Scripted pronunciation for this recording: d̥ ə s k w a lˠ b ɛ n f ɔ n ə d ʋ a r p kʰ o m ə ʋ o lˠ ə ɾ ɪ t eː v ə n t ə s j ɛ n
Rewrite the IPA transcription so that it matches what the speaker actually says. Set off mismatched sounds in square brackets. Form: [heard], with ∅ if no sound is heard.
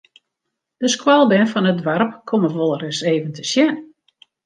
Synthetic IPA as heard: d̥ ə s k w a lˠ b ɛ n f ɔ n ə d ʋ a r p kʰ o m ə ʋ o lˠ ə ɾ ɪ [s] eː v ə n t ə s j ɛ n